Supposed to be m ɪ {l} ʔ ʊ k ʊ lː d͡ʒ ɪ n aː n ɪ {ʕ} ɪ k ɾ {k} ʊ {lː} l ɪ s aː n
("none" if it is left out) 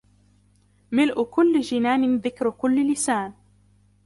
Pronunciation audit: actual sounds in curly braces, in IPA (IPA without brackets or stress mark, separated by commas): l, ð, k, lː